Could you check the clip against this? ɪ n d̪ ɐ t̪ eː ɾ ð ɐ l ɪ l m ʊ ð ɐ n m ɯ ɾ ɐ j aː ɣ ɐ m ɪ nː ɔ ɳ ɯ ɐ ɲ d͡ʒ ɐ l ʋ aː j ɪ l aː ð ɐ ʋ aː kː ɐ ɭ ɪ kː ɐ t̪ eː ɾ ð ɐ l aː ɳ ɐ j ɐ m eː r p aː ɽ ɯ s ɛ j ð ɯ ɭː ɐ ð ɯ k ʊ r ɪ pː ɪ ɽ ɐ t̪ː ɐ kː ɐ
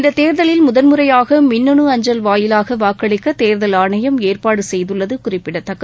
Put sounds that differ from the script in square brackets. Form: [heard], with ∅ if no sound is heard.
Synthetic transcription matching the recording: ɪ n d̪ ɐ t̪ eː ɾ ð ɐ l ɪ l m ʊ ð ɐ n m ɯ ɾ ɐ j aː ɣ ɐ m ɪ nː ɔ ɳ ɯ ɐ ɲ d͡ʒ ɐ l ʋ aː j ɪ l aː [ɣ] ɐ ʋ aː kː ɐ ɭ ɪ kː ɐ t̪ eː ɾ ð ɐ l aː ɳ ɐ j ɐ m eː r p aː ɽ ɯ s ɛ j ð ɯ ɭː ɐ ð ɯ k ʊ r ɪ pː ɪ ɽ ɐ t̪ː ɐ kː ɐ